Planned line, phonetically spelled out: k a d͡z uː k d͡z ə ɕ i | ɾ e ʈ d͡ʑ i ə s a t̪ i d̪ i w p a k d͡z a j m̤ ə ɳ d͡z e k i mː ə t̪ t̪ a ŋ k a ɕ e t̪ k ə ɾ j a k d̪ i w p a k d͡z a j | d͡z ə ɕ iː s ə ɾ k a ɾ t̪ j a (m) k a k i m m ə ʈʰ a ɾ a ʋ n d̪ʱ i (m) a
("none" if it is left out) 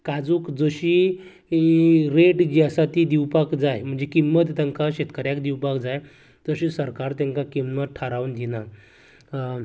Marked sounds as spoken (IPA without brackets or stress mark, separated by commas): ŋ, n